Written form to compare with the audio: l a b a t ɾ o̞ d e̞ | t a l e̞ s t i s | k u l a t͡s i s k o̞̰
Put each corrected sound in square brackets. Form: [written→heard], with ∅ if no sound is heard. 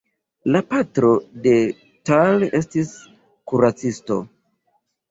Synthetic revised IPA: l a [b→p] a t ɾ o̞ d e̞ | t a l e̞ s t i s | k u [l→ɾ] a t͡s i s [k→t] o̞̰